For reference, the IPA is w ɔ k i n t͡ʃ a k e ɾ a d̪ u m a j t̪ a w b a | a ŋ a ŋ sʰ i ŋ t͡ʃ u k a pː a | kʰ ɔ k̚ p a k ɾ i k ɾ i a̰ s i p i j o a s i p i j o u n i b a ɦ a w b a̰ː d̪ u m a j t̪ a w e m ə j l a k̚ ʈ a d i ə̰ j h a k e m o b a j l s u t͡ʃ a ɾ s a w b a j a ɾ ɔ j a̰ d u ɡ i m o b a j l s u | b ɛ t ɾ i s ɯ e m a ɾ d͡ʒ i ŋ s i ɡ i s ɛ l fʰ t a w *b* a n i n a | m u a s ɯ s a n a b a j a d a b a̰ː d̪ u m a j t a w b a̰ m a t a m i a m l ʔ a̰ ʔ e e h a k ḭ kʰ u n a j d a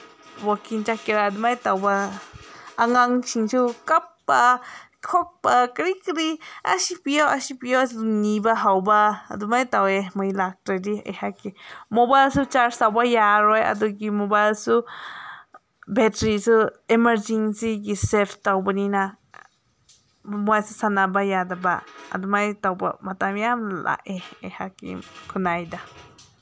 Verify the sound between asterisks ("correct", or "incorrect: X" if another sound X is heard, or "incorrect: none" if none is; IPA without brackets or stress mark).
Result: correct